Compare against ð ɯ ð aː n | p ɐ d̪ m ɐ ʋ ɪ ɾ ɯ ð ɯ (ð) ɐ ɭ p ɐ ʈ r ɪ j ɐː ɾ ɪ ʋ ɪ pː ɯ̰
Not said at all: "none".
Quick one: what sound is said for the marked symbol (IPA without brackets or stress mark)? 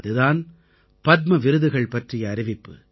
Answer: ɣ